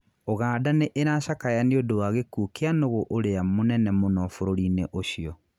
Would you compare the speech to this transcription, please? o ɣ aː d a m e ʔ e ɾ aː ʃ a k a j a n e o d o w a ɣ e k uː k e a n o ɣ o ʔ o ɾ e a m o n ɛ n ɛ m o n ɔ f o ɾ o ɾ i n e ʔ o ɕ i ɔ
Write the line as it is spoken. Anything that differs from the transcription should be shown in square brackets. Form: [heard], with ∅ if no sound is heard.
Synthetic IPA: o ɣ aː d a [n] e ʔ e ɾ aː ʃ a k a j a n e o d o w a ɣ e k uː k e a n o ɣ o ʔ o ɾ e a m o n ɛ n ɛ m o n ɔ f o ɾ o ɾ i n e ʔ o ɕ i ɔ